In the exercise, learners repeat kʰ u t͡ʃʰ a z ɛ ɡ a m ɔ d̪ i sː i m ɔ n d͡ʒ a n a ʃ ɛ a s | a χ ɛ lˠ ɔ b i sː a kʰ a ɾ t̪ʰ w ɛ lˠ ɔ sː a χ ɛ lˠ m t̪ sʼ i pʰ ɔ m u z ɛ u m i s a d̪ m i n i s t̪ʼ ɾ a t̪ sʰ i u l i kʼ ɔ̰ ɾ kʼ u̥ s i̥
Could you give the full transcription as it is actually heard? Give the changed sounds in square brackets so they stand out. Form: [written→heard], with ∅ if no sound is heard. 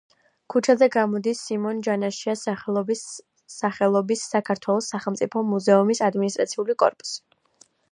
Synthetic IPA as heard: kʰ u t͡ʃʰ a z ɛ ɡ a m ɔ d̪ i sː i m ɔ n d͡ʒ a n a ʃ [ɛ→i] a s | a χ ɛ lˠ ɔ b i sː a kʰ a ɾ t̪ʰ w ɛ lˠ ɔ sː a χ ɛ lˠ m t̪ sʼ i pʰ ɔ m u z ɛ u m i s a d̪ m i n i s t̪ʼ ɾ a t̪ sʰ i u l i kʼ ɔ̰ ɾ [kʼ→pʼ] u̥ s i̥